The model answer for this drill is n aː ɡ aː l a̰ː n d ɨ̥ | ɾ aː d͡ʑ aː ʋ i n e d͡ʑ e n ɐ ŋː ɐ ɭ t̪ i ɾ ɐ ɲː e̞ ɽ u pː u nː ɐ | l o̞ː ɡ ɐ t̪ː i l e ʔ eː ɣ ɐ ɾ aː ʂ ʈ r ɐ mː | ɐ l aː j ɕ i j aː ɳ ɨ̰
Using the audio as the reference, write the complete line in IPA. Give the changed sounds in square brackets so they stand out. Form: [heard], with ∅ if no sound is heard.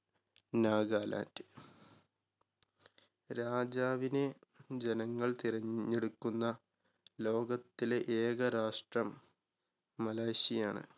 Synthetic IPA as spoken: n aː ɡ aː l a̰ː n d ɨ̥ | ɾ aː d͡ʑ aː ʋ i n e d͡ʑ e n ɐ ŋː ɐ ɭ t̪ i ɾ ɐ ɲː e̞ ɽ u [kː] u nː ɐ | l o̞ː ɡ ɐ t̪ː i l e ʔ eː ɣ ɐ ɾ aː ʂ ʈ r ɐ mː | ɐ l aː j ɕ i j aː ɳ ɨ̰